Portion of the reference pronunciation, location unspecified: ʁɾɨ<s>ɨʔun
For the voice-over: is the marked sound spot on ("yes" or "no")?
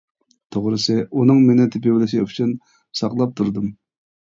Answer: yes